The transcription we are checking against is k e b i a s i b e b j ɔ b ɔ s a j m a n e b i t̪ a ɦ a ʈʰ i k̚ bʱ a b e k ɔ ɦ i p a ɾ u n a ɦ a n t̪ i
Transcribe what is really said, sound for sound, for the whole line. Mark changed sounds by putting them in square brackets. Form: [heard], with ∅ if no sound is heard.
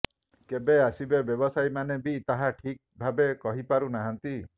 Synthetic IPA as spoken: k e b [e] a s i b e b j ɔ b ɔ s a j m a n e b i t̪ a ɦ a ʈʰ i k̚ bʱ a b e k ɔ ɦ i p a ɾ u n a ɦ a n t̪ i